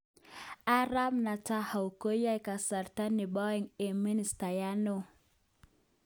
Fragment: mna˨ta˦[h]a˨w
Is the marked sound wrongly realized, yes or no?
no